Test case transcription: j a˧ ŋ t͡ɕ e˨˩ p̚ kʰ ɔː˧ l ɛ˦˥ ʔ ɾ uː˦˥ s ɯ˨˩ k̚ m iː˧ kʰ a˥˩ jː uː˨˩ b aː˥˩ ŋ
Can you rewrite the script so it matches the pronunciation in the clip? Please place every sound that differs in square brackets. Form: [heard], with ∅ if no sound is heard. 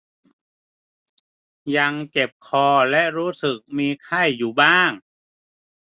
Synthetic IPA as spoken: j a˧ ŋ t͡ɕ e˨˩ p̚ kʰ ɔː˧ l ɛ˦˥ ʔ ɾ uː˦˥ s ɯ˨˩ k̚ m iː˧ kʰ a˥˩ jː uː˨˩ b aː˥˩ ŋ